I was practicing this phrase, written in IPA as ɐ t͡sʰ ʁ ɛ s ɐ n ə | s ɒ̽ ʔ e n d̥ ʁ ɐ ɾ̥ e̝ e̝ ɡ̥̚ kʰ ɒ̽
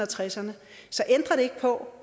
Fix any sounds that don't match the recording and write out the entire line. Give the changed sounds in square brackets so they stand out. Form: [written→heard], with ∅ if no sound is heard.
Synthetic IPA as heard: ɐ t͡sʰ ʁ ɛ s ɐ n ə | s ɒ̽ ʔ e n d̥ ʁ ɐ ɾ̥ e̝ e̝ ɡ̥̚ [kʰ→pʰ] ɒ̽

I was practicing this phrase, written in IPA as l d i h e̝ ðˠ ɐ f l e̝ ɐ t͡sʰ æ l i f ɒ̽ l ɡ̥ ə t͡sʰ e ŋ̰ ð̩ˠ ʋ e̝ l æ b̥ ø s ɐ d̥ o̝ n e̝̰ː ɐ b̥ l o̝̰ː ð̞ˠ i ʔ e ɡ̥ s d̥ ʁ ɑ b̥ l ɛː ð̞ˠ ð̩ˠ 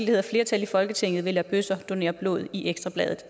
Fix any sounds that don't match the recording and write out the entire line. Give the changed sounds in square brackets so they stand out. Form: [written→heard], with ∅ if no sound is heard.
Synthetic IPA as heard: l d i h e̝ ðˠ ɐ f l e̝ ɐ t͡sʰ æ l i f ɒ̽ l ɡ̥ ə t͡sʰ e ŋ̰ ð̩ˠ ʋ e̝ l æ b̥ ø s ɐ d̥ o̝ n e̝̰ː ɐ b̥ l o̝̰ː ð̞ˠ i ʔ e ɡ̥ s d̥ ʁ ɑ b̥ l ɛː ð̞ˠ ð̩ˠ

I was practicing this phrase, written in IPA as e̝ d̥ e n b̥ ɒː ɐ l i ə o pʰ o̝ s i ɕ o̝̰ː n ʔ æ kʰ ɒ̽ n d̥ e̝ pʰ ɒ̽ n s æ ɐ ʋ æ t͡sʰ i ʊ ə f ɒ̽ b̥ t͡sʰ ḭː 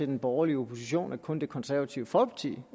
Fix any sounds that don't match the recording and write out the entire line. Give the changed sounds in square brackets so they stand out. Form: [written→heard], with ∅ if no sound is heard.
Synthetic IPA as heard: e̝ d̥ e n b̥ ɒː ɐ l i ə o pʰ o̝ s i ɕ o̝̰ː n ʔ æ kʰ [ɒ̽→ɔ̽] n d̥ e̝ [pʰ→kʰ] ɒ̽ n s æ ɐ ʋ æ t͡sʰ i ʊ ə f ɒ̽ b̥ t͡sʰ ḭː

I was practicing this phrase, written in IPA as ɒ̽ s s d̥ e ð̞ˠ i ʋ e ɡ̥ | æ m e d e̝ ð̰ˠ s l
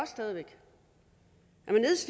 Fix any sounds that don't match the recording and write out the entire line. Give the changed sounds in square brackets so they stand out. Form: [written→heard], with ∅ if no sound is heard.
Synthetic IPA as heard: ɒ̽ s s d̥ [e→ɛ] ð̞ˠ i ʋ e ɡ̥ | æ m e [d→n] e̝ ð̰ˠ s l

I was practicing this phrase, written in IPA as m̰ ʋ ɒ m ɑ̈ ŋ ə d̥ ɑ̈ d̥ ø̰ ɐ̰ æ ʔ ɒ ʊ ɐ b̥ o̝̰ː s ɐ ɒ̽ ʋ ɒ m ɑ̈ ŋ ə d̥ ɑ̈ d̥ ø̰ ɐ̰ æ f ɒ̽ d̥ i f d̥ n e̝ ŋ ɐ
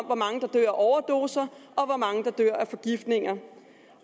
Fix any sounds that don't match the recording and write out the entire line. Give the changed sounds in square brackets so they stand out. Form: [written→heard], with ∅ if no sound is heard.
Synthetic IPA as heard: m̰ ʋ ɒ m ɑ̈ ŋ ə d̥ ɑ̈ d̥ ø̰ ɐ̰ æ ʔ ɒ ʊ ɐ [b̥→d̥] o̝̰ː s ɐ ɒ̽ ʋ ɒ m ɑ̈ ŋ ə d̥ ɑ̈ d̥ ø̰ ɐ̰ æ f ɒ̽ [d̥→ɡ̥] i f d̥ n e̝ ŋ ɐ

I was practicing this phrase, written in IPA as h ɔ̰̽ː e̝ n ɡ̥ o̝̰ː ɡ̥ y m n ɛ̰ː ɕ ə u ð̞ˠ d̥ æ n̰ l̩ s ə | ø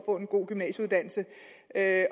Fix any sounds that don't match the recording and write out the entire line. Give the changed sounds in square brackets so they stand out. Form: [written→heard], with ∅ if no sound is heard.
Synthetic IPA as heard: [h→f] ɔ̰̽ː e̝ n ɡ̥ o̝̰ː ɡ̥ y m n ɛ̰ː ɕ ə u ð̞ˠ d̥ æ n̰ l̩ s ə | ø

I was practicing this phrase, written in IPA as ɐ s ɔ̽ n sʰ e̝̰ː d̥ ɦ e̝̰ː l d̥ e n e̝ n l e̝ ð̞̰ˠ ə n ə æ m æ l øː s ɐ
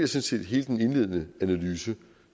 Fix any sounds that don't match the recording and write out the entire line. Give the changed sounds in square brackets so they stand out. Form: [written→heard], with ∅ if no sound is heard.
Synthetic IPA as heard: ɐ s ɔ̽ n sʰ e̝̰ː d̥ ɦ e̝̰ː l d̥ e n e̝ n l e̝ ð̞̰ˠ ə n ə æ [m→n] æ l [øː→yː] s [ɐ→ə]

